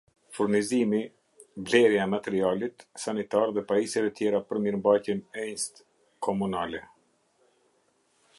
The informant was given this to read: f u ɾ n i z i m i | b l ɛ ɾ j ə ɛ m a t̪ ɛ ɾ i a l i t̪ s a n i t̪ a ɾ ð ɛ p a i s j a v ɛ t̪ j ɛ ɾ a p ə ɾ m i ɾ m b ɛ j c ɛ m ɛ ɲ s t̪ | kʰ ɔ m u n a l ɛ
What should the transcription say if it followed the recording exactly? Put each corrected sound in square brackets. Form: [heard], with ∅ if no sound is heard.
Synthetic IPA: f u ɾ n i z i m i | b l ɛ ɾ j [a] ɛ m a t̪ ɛ ɾ i a l i t̪ s a n i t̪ a ɾ ð ɛ p a i s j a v ɛ t̪ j ɛ ɾ a p ə ɾ m i ɾ m b [a] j c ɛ [n] ɛ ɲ s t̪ | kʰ ɔ m u n a l ɛ